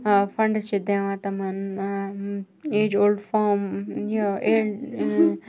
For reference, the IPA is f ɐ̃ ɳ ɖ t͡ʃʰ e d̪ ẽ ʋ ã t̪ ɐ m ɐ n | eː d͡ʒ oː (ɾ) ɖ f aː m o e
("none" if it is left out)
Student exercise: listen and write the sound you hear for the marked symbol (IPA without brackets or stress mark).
l